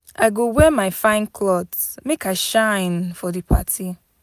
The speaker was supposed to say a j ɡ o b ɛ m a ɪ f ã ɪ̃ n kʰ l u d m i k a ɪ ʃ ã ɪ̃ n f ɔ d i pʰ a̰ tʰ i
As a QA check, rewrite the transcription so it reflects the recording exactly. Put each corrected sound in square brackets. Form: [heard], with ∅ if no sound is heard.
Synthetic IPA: a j ɡ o [w] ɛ m a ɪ f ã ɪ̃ n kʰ l [ɔ] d m [e] k a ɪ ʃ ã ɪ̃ n f ɔ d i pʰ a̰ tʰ i